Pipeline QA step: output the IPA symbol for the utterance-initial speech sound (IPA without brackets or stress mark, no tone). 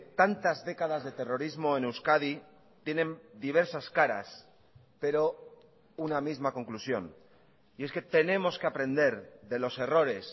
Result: t̪